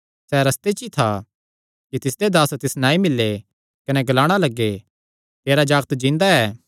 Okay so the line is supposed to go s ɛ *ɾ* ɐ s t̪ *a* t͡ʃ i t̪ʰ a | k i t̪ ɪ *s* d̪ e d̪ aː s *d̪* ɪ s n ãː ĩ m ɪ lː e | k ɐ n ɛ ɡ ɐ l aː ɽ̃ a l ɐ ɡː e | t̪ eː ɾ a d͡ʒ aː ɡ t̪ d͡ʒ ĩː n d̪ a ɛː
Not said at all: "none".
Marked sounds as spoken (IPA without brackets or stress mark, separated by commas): ɾ, e, s, t̪